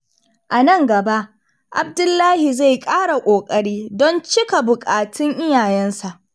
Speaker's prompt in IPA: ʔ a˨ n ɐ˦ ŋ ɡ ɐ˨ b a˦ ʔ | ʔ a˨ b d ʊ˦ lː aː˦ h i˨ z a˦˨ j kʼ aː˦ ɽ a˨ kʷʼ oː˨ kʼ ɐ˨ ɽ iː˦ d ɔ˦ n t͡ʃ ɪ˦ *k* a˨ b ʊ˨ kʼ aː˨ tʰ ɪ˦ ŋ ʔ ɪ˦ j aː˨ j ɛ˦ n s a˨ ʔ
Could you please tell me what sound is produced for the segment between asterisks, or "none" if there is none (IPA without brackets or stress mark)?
k